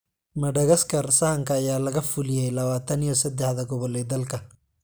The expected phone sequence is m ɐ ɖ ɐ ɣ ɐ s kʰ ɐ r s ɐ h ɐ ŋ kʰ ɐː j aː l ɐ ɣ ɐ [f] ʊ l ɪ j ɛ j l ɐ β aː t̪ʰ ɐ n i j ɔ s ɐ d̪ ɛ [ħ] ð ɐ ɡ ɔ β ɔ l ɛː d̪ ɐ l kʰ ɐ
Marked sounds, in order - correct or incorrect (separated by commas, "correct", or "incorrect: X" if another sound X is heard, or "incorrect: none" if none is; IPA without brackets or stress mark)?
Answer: correct, correct